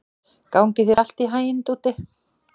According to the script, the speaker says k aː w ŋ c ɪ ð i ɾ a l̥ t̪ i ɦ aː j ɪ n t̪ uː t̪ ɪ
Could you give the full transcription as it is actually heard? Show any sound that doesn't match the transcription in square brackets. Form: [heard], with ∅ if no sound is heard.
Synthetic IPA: k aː w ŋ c ɪ [θ] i ɾ a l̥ t̪ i ɦ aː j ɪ n t̪ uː t̪ ɪ